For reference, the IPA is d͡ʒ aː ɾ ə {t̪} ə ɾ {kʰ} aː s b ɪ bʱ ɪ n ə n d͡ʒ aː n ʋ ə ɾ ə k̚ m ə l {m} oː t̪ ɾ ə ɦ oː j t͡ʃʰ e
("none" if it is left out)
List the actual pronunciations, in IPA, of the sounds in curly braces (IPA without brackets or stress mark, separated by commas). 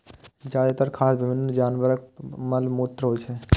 t̪, kʰ, m